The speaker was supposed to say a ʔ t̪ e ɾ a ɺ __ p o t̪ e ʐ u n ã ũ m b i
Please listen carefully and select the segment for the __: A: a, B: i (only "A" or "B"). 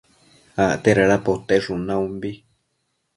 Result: A